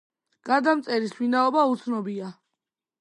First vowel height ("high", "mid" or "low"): low